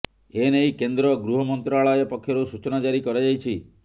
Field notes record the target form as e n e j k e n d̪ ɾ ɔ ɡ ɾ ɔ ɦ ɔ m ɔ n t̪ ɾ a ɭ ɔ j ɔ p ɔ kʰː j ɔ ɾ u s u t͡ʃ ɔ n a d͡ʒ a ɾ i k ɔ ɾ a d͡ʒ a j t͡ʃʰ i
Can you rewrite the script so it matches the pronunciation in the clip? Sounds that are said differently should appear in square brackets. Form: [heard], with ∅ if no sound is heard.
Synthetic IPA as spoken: e n e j k e n d̪ ɾ ɔ ɡ ɾ [u] ɦ ɔ m ɔ n t̪ ɾ a ɭ ɔ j ɔ p ɔ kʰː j ɔ ɾ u s u t͡ʃ ɔ n a d͡ʒ a ɾ i k ɔ ɾ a d͡ʒ a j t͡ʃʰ i